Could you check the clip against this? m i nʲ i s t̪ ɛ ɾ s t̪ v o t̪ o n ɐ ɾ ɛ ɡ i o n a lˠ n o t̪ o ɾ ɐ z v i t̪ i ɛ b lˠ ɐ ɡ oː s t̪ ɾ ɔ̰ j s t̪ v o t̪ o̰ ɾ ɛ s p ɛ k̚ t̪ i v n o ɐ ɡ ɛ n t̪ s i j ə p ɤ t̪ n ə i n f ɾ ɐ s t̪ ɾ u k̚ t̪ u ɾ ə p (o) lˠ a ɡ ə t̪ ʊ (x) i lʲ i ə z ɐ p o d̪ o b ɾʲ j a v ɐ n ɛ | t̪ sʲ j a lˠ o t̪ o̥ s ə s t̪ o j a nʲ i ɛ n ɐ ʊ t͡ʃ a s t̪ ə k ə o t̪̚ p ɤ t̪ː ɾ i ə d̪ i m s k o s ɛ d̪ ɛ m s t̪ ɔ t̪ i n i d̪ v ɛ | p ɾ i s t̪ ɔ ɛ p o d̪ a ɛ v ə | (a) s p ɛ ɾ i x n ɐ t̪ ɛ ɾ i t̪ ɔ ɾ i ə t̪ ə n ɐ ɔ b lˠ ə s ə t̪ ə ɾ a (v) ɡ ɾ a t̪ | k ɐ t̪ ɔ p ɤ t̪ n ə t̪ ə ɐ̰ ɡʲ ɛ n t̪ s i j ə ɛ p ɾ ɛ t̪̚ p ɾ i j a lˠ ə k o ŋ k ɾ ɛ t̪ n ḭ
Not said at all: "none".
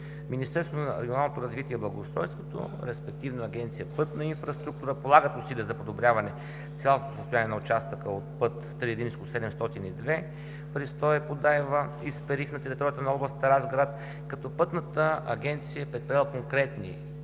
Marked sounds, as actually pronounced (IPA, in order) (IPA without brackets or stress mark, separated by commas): o, s, i, z